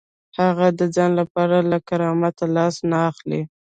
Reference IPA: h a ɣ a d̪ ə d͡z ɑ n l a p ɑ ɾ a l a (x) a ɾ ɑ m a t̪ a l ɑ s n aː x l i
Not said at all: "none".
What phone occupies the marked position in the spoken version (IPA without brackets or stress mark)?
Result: k